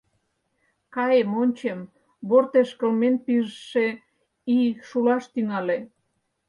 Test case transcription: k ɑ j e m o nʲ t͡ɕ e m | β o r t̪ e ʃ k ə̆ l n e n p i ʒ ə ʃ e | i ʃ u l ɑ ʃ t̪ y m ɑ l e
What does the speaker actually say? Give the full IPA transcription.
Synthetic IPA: k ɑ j e m o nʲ t͡ɕ e m | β o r t̪ e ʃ k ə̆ l m e n p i ʒ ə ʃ e | i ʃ u l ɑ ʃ t̪ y ŋ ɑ l e